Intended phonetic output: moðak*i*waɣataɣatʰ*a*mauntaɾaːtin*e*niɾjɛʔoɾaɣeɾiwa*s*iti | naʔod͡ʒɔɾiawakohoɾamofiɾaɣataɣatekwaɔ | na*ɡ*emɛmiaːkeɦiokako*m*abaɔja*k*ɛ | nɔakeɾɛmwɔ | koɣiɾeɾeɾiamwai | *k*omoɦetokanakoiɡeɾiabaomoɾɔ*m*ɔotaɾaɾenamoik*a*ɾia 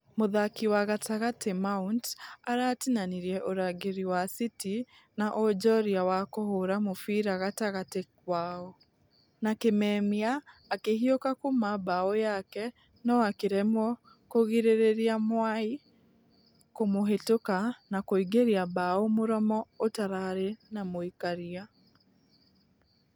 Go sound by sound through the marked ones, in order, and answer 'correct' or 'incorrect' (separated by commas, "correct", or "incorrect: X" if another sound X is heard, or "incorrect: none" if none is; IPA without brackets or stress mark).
correct, incorrect: e, incorrect: a, correct, incorrect: k, correct, correct, correct, correct, correct